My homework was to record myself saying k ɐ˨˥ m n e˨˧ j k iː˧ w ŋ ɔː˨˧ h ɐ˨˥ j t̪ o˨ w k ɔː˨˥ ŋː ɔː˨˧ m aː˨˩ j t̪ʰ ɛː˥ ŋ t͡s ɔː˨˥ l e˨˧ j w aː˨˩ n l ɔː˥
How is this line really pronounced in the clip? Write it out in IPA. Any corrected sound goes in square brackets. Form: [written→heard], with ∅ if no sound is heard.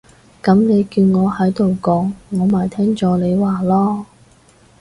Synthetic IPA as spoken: k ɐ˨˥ m n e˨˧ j k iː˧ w ŋ ɔː˨˧ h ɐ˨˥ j t̪ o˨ w k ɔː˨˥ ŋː ɔː˨˧ m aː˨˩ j t̪ʰ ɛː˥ ŋ t͡s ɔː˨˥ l e˨˧ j w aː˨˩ [n→∅] l ɔː˥